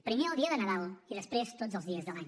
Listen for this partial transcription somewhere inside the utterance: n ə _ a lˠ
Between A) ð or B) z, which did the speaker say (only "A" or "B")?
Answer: A